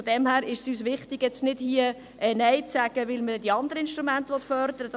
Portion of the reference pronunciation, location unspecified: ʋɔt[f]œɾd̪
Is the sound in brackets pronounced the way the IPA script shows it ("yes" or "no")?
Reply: yes